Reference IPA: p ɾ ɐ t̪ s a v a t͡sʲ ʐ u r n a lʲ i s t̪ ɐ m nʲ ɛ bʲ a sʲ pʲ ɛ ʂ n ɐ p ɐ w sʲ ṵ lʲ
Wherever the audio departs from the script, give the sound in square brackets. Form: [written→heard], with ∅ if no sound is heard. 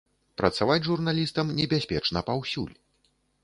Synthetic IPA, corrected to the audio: p ɾ ɐ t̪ s a v a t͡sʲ ʐ u r n a lʲ i s t̪ ɐ m nʲ ɛ bʲ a sʲ pʲ ɛ [ʂ→t͡ʂ] n ɐ p [ɐ→a] w sʲ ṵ lʲ